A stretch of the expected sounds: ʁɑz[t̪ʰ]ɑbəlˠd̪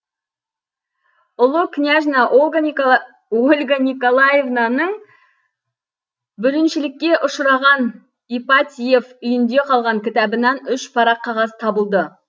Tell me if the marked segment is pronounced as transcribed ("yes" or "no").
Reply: yes